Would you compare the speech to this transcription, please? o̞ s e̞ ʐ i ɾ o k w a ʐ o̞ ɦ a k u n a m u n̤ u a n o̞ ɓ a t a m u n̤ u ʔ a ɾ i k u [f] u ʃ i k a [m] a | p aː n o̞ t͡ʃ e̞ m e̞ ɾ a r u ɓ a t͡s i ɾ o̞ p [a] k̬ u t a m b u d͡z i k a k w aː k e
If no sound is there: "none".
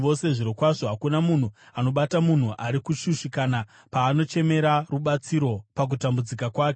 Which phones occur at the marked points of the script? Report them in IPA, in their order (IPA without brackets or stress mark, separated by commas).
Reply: ʃ, n, a